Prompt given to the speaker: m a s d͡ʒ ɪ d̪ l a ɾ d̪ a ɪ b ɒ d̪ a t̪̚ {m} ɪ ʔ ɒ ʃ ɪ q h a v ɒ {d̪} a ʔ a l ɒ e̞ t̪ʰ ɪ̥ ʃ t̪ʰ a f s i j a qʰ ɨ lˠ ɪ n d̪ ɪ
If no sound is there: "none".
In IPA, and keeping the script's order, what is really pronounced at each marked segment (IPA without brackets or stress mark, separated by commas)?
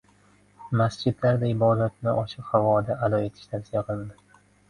n, d̪